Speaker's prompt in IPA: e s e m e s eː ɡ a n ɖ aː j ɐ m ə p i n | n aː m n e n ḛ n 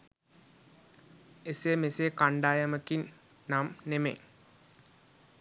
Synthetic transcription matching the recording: e s e m e s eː k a ɳ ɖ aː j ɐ m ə k i n | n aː m n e m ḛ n